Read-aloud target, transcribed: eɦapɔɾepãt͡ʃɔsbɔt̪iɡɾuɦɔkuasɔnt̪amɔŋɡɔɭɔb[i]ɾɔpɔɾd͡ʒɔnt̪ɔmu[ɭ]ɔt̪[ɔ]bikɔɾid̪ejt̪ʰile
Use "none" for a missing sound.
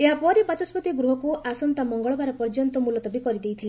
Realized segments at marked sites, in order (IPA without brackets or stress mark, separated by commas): a, l, ɔ